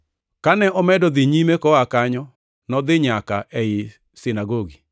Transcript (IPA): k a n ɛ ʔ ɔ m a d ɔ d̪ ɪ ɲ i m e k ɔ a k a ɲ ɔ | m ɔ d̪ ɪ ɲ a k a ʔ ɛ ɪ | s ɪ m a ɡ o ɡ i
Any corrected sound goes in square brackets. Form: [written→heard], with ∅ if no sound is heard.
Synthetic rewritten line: k a n ɛ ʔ ɔ m [a→ɛ] d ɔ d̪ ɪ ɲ i m e k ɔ a k a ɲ ɔ | [m→n] ɔ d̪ ɪ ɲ a k a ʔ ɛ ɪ | s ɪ [m→n] a ɡ o ɡ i